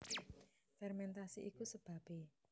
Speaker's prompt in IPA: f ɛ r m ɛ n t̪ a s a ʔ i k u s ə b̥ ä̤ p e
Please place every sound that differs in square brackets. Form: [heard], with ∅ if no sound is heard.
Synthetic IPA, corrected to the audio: f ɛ r m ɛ n t̪ a s [i] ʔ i k u s ə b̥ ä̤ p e